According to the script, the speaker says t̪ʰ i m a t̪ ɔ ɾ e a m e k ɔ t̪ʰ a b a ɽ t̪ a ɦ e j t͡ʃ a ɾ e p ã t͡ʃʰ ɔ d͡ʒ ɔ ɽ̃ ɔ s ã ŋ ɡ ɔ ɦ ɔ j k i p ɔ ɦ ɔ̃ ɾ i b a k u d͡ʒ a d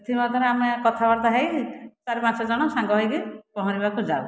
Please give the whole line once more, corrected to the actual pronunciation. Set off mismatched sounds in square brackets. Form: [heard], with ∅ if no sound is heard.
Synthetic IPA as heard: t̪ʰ i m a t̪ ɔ ɾ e a m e k ɔ t̪ʰ a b a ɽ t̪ a ɦ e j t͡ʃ a ɾ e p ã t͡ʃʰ ɔ d͡ʒ ɔ ɽ̃ ɔ s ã ŋ ɡ ɔ ɦ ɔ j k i p ɔ ɦ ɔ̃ ɾ i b a k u d͡ʒ a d

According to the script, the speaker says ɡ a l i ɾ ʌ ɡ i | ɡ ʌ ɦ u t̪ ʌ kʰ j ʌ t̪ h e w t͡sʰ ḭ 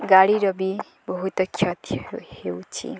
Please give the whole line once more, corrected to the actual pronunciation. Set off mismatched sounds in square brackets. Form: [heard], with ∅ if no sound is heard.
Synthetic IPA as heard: ɡ a [ɽ] i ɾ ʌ [b] i | [b] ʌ ɦ u t̪ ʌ kʰ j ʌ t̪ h e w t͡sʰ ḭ

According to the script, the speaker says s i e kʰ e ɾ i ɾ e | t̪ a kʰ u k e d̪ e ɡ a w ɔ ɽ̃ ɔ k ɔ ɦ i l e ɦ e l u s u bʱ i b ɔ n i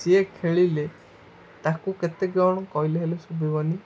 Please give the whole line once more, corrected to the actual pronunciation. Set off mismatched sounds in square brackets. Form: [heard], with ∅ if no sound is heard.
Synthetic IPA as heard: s i e kʰ e [ɭ] i [l] e | t̪ a [k] u k e [t̪] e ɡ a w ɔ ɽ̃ ɔ k ɔ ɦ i l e ɦ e l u s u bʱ i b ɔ n i

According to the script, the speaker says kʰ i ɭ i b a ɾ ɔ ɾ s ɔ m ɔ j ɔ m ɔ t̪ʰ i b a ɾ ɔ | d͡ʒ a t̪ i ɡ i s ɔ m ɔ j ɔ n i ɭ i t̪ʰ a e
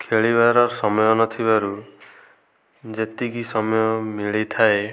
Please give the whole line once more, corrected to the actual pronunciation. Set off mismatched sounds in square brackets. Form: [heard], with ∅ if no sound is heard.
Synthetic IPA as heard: kʰ [e] ɭ i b a ɾ ɔ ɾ s ɔ m ɔ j ɔ [n] ɔ t̪ʰ i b a ɾ [u] | d͡ʒ [e] t̪ i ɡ i s ɔ m ɔ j ɔ [m] i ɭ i t̪ʰ a e

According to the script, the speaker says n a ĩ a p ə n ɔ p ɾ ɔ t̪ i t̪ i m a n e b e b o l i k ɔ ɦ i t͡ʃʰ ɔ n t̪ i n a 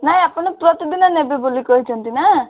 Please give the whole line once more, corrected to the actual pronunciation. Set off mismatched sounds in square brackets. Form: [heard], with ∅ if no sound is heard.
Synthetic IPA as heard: n a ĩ a p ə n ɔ p ɾ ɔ t̪ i [d̪] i [n] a n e b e b o l i k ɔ ɦ i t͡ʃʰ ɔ n t̪ i n a

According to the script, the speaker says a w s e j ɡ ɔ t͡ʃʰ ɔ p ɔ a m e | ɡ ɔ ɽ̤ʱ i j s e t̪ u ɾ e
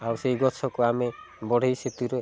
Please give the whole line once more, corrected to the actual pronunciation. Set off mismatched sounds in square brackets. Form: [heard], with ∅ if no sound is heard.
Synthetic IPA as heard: a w s e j ɡ ɔ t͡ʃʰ ɔ [k] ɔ a m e | [b] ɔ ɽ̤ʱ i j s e t̪ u ɾ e

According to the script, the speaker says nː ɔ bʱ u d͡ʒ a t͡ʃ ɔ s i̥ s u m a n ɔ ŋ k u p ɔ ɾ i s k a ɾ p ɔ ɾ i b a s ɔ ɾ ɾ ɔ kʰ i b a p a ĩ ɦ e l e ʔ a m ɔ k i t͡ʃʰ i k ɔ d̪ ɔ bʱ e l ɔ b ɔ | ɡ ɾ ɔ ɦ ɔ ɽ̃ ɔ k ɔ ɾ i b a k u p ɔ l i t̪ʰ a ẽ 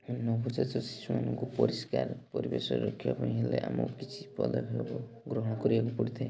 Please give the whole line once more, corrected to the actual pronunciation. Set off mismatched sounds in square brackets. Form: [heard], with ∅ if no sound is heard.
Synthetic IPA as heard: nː ɔ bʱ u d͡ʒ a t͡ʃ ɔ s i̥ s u m a n ɔ ŋ k u p ɔ ɾ i s k a ɾ p ɔ ɾ i b [e] s ɔ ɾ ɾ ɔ kʰ i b a p a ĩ ɦ e l e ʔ a m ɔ k i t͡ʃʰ i [p] ɔ d̪ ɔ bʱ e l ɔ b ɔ | ɡ ɾ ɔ ɦ ɔ ɽ̃ ɔ k ɔ ɾ i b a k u p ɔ [ɽ] i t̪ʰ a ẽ

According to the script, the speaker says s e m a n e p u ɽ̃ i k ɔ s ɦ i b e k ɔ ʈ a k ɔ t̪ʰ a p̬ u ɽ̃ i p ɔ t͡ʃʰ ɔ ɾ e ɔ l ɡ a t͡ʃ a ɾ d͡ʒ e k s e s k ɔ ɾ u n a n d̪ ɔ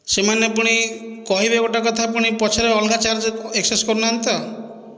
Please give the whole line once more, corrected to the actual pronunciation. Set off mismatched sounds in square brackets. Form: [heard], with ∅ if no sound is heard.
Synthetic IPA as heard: s e m a n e p u ɽ̃ i k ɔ [∅] ɦ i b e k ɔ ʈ a k ɔ t̪ʰ a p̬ u ɽ̃ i p ɔ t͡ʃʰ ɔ ɾ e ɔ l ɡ a t͡ʃ a ɾ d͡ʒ e k s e s k ɔ ɾ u n a n [t̪] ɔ

